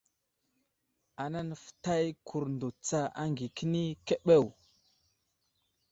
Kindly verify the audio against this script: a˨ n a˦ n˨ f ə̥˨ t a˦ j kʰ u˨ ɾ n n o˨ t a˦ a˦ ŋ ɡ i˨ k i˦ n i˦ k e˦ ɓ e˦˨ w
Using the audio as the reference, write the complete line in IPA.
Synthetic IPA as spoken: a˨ n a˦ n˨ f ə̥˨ t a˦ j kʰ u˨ ɾ n d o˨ t͡s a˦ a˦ ŋ ɡ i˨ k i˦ n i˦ k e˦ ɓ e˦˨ w